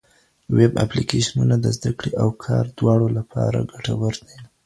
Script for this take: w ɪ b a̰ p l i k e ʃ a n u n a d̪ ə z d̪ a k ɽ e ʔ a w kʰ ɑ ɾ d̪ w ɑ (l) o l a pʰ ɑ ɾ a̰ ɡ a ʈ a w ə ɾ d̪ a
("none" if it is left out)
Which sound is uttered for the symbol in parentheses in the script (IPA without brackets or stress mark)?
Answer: ɽ